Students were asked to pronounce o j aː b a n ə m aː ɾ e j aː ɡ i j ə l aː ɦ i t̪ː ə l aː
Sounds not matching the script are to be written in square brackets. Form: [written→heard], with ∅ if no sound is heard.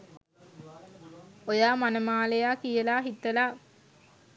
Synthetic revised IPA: o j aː [b→m] a n ə m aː [ɾ→l] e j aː [ɡ→k] i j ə l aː ɦ i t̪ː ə l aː